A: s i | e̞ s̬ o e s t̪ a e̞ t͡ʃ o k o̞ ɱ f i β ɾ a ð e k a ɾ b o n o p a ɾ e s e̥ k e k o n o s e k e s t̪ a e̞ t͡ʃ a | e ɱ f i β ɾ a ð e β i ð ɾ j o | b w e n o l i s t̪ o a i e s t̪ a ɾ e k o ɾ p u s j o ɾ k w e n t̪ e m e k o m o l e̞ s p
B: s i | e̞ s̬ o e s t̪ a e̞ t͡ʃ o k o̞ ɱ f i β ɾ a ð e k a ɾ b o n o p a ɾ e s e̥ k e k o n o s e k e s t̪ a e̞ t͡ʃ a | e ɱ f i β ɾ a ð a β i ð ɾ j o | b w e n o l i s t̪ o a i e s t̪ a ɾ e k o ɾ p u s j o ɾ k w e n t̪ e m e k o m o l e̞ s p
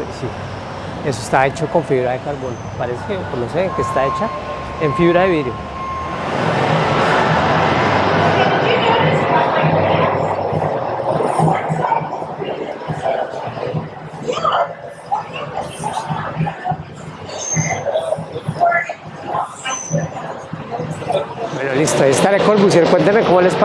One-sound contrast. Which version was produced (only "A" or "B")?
A